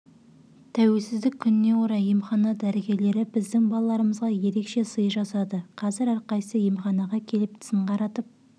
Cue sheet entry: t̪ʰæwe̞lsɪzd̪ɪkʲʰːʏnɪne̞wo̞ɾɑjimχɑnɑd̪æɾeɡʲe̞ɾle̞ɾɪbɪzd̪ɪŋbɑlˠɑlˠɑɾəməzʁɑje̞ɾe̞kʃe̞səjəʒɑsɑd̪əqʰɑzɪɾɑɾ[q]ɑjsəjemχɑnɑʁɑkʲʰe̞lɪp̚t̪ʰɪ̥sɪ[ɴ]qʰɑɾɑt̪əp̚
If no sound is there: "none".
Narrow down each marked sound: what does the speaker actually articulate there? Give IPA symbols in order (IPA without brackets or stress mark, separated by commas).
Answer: q, ɴ